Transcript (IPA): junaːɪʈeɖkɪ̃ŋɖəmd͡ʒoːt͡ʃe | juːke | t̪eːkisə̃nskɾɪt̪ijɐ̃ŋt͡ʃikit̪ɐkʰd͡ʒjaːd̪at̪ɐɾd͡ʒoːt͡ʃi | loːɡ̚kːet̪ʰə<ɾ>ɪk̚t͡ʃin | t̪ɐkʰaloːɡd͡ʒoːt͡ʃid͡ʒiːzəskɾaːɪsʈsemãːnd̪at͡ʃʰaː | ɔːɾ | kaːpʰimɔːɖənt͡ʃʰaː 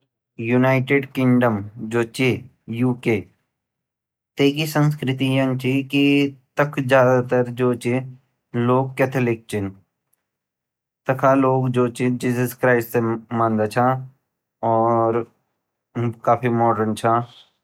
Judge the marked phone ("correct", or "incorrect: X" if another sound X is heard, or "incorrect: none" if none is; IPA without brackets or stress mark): incorrect: l